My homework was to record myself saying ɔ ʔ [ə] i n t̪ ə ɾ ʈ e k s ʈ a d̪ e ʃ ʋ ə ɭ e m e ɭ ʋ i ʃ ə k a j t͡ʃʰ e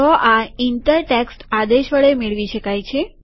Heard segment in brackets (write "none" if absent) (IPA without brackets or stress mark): a